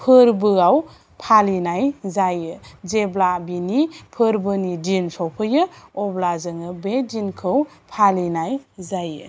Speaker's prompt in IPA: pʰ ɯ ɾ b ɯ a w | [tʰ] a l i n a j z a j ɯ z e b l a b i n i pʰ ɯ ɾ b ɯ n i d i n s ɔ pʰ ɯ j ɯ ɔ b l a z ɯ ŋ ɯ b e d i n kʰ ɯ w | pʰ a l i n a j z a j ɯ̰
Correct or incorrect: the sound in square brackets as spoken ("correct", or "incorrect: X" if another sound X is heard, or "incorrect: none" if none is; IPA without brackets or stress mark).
incorrect: pʰ